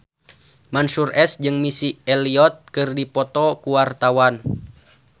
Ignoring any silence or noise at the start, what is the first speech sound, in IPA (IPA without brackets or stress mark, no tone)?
m